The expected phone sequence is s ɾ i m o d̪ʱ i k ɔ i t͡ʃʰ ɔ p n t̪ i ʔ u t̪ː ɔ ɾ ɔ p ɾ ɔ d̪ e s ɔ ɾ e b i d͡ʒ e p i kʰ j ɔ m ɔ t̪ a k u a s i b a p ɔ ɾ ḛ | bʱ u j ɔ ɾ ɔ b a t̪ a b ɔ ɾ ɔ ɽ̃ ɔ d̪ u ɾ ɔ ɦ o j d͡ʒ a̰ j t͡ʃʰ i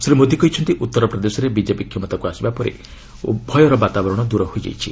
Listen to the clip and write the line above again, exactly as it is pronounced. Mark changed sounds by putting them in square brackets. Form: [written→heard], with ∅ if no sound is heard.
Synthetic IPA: s ɾ i m o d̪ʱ i k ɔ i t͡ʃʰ ɔ [p→∅] n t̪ i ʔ u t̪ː ɔ ɾ ɔ p ɾ ɔ d̪ e s ɔ ɾ e b i d͡ʒ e p i kʰ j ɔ m ɔ t̪ a k u a s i b a p ɔ ɾ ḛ | bʱ [u→ɔ] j ɔ ɾ ɔ b a t̪ a b ɔ ɾ ɔ ɽ̃ ɔ d̪ u ɾ ɔ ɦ o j d͡ʒ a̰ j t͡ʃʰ i